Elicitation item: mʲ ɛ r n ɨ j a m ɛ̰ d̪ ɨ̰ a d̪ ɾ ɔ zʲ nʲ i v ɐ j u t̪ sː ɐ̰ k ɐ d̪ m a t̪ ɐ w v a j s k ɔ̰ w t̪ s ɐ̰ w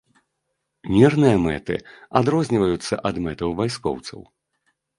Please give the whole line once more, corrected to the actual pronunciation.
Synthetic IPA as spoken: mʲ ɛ r n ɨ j ɐ m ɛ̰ t̪ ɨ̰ a d̪ ɾ ɔ zʲ nʲ i v ɐ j u t̪ sː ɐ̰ ʔ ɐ d̪ m ɛ t̪ ɐ w v a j s k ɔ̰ w t̪ s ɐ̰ w